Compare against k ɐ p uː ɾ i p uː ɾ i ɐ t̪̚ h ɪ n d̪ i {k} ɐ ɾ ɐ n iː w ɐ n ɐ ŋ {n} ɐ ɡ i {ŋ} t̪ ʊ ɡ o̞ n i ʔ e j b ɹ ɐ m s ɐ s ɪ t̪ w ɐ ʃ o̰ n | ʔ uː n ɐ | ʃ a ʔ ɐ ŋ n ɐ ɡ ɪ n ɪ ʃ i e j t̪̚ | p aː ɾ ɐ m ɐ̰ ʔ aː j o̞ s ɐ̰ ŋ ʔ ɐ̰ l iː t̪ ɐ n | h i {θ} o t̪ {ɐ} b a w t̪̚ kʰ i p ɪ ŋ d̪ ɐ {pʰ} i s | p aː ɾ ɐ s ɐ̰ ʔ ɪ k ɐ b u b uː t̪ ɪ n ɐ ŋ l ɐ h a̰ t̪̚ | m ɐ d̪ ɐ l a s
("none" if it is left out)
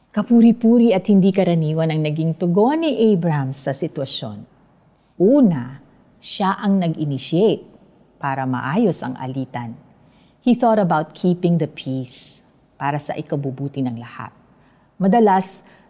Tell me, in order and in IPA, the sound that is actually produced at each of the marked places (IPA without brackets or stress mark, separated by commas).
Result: k, n, ŋ, θ, ɐ, pʰ